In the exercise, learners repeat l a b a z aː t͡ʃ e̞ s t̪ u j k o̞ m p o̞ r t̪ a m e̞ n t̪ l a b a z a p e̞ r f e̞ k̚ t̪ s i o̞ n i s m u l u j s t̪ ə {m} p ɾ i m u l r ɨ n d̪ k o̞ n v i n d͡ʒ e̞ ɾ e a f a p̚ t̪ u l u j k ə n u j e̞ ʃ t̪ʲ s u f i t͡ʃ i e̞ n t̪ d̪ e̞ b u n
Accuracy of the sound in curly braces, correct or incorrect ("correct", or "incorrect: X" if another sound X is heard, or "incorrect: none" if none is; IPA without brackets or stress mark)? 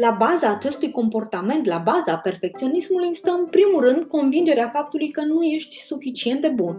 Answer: correct